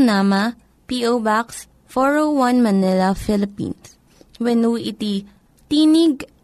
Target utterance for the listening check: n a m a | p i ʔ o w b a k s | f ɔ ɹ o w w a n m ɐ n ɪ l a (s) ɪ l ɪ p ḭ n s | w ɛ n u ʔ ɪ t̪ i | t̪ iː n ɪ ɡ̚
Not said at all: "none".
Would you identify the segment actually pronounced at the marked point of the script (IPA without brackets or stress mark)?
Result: f